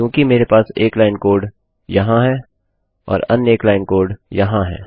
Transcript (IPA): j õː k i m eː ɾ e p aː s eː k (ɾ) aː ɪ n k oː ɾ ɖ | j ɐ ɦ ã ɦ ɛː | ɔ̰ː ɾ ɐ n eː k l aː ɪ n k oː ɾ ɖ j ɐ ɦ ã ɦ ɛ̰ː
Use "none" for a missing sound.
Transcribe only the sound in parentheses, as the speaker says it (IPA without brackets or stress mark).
l